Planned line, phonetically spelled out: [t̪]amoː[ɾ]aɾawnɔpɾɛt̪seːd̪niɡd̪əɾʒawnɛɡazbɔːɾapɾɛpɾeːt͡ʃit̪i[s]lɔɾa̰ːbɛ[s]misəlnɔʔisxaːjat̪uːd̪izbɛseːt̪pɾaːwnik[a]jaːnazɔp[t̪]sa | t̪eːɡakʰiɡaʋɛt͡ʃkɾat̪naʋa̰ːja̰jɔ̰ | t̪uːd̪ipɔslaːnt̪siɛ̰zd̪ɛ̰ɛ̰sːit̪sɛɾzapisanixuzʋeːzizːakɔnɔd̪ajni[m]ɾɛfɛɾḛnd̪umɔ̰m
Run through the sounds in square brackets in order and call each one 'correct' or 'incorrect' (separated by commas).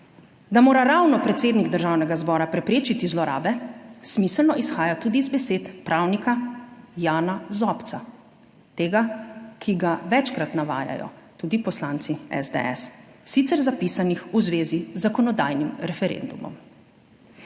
incorrect, correct, incorrect, correct, correct, correct, correct